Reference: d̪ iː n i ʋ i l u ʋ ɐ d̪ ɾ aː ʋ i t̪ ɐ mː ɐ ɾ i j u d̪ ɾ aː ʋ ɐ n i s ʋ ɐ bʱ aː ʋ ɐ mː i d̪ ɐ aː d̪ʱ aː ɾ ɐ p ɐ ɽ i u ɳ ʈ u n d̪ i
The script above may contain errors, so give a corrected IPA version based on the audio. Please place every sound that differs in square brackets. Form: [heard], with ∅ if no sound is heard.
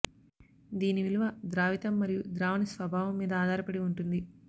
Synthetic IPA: d̪ iː n i ʋ i l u ʋ ɐ d̪ ɾ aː ʋ i t̪ ɐ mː ɐ ɾ i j u d̪ ɾ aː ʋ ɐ n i s ʋ ɐ bʱ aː ʋ ɐ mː [iː] d̪ ɐ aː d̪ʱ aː ɾ ɐ p ɐ ɽ i u ɳ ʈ u n d̪ i